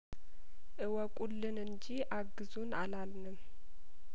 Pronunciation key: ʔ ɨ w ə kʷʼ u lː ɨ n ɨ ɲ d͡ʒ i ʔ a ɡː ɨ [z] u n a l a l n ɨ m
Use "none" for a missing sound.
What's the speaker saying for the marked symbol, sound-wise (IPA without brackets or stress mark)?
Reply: z